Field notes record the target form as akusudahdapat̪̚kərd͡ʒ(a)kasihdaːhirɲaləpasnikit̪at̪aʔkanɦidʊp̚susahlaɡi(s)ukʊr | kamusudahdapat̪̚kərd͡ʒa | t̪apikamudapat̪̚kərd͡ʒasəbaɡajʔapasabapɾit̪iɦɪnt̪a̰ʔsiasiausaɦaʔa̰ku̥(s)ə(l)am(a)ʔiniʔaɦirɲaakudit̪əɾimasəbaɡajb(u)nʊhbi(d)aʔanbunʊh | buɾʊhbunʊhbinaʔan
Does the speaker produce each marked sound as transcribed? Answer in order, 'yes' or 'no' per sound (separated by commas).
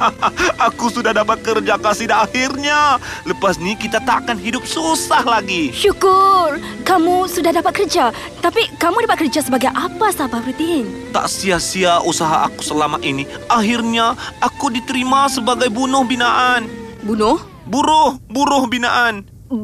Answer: yes, no, yes, yes, yes, yes, no